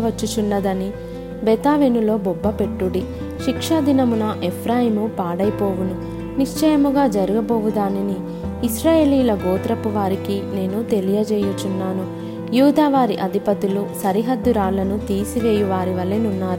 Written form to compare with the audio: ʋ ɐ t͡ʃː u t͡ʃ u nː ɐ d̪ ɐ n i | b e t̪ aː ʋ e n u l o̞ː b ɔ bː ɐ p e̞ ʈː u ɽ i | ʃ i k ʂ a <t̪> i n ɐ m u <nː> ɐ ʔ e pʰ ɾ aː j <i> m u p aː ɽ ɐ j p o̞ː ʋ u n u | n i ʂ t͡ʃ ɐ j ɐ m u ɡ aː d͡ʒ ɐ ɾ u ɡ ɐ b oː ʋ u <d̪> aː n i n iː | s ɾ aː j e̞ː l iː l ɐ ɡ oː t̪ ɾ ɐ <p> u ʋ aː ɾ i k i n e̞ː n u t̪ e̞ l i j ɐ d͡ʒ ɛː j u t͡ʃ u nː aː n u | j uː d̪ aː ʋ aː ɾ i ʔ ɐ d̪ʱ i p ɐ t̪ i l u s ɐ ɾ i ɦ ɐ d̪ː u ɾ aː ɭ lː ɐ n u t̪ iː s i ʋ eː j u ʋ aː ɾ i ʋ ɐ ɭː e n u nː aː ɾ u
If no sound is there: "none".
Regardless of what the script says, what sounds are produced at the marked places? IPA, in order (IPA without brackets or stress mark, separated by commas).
d̪, n, i, d̪, p